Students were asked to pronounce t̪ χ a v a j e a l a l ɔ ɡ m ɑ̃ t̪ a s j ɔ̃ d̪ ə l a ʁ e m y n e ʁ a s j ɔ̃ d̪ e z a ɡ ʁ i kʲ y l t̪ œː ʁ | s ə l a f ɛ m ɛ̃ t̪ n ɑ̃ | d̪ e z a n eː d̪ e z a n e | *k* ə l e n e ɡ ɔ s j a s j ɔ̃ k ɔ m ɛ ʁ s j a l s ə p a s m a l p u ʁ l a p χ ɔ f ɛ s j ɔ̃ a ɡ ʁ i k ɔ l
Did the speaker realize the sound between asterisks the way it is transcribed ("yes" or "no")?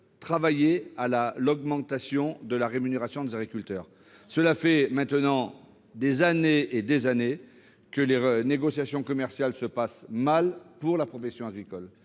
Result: yes